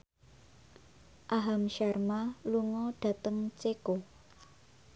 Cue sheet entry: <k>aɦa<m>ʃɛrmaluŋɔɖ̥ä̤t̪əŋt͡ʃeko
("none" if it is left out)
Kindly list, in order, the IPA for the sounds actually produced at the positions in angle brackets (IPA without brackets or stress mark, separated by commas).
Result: ʔ, m